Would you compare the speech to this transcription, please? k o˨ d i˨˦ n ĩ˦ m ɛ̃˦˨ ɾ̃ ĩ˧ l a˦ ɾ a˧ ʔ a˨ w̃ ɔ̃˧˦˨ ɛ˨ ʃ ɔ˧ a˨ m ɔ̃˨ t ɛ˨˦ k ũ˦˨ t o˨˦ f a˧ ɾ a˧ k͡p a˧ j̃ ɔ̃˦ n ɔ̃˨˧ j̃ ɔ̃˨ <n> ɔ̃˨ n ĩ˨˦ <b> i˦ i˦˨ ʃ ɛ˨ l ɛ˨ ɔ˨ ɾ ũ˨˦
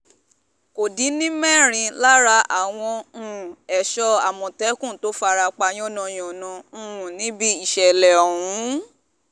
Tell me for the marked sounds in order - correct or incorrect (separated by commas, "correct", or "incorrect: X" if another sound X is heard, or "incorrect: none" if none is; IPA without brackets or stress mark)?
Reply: correct, correct